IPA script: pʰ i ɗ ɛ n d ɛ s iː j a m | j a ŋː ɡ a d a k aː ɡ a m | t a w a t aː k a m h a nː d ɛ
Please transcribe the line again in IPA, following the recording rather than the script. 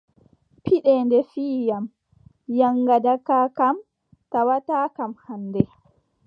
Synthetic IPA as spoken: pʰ i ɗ ɛ n d ɛ f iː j a m | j a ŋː ɡ a d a k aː k a m | t a w a t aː k a m h a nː d ɛ